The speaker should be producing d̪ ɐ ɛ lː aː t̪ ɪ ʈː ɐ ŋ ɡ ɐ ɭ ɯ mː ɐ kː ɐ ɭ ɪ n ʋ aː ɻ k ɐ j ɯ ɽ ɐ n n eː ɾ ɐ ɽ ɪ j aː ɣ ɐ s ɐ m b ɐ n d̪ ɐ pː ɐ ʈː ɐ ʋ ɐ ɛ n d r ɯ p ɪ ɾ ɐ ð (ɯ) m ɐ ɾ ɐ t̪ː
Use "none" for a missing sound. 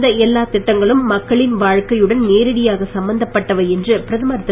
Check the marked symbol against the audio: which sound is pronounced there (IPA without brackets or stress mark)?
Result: ɯ